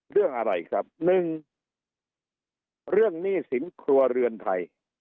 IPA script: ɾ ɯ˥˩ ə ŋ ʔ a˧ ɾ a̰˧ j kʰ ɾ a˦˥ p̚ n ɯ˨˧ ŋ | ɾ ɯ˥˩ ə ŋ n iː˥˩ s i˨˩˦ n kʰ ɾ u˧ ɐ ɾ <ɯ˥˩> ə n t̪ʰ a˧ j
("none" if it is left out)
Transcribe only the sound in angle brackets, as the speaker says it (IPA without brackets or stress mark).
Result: ɯ˧